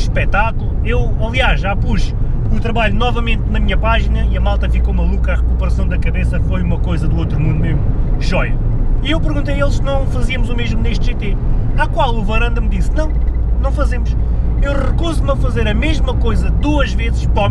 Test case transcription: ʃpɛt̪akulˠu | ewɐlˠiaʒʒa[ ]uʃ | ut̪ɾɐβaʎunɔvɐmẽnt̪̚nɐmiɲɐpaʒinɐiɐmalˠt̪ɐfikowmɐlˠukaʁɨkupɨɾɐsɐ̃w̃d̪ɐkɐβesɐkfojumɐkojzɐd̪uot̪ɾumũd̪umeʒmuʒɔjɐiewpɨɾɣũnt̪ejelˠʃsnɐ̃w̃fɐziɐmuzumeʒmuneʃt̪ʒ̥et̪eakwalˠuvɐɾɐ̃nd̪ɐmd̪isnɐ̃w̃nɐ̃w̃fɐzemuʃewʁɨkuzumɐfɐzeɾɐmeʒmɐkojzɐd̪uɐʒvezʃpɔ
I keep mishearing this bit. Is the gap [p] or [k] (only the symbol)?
p